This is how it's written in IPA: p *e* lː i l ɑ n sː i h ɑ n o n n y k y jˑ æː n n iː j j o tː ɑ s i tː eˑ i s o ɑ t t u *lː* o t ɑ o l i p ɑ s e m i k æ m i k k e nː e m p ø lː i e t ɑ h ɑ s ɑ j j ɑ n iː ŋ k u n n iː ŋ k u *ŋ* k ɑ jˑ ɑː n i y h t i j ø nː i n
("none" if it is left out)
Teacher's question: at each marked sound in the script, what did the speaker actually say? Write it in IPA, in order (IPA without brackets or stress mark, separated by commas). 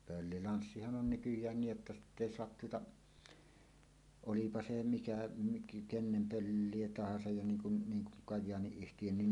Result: ø, none, ŋ